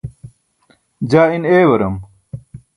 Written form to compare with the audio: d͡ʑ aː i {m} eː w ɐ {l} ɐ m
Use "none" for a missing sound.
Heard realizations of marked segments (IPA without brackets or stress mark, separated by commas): n, ɾ